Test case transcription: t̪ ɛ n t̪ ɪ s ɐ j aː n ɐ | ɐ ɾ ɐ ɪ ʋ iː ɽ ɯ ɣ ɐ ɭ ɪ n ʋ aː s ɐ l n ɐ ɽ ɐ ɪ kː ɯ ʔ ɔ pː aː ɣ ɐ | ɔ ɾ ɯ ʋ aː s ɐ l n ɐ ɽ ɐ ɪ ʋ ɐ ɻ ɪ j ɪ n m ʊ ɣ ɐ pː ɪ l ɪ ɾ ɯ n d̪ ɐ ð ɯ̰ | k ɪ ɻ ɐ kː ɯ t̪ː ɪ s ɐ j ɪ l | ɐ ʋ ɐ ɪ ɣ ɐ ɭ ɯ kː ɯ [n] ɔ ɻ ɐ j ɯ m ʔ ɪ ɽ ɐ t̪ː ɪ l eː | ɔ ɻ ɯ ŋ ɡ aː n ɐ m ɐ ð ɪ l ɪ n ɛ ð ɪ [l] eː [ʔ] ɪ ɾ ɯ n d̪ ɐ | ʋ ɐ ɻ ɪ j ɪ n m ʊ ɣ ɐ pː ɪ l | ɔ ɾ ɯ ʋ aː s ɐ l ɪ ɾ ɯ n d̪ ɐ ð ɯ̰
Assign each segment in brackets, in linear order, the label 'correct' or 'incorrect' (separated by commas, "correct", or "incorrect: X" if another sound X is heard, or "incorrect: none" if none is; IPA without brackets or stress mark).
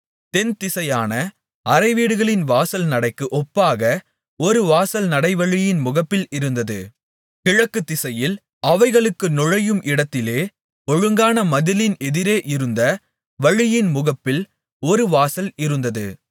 correct, incorrect: ɾ, correct